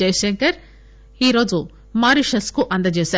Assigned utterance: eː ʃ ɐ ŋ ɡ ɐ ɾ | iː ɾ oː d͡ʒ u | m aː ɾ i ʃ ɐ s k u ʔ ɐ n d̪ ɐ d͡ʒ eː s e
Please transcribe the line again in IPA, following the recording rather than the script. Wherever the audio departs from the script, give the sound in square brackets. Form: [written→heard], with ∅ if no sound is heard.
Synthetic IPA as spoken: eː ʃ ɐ ŋ [ɡ→k] ɐ ɾ | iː ɾ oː d͡ʒ u | m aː ɾ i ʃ ɐ s k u ʔ ɐ n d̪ ɐ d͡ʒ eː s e